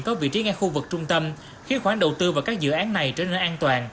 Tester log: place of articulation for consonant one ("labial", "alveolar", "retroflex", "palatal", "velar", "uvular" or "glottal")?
velar